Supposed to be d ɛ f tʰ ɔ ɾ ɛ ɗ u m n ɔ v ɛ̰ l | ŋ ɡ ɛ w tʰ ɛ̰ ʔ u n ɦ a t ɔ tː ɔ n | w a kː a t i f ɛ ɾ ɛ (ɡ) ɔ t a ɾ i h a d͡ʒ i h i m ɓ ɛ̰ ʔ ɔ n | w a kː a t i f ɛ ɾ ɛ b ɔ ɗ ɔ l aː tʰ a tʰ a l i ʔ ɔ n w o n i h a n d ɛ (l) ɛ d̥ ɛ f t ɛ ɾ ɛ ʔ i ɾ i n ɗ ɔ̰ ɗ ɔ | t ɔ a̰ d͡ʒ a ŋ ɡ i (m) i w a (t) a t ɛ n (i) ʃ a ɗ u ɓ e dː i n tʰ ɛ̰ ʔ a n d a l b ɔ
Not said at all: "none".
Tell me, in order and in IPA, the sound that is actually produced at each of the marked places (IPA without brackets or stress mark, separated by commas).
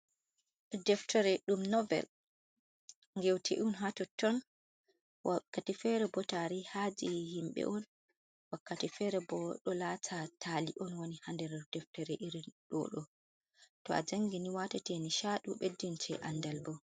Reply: b, ɾ, n, t, i